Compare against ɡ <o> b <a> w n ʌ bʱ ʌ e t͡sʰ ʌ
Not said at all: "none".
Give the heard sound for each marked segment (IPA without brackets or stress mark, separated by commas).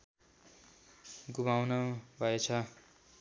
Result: u, a